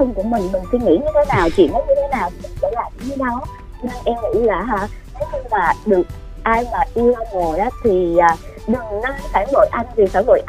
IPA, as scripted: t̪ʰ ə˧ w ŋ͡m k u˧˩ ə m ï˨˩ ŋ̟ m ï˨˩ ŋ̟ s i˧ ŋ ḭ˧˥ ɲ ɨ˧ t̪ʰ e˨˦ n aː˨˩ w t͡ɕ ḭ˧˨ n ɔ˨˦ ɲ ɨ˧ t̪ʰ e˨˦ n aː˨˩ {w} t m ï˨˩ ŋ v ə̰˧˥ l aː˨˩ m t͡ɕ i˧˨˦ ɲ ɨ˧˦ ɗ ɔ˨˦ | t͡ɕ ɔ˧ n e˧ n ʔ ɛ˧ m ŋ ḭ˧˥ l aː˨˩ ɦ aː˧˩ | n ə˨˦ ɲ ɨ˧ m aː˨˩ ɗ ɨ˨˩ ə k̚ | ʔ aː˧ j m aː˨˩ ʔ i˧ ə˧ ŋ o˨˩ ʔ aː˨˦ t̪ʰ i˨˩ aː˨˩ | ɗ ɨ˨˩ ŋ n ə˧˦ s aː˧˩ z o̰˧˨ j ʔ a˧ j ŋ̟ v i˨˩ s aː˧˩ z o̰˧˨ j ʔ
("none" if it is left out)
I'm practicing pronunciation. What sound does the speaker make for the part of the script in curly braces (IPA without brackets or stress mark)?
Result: w